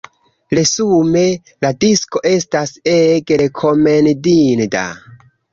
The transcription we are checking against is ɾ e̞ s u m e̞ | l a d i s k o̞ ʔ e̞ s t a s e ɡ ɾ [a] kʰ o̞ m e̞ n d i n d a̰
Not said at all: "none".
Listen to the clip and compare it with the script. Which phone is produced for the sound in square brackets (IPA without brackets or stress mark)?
e